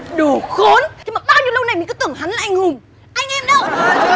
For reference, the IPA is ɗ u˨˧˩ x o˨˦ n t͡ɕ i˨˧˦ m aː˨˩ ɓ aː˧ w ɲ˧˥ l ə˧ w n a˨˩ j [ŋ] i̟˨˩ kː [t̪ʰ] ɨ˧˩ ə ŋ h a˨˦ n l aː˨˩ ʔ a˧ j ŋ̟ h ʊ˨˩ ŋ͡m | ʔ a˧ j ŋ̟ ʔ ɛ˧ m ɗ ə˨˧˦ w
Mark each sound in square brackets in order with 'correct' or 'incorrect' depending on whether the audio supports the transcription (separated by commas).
incorrect, incorrect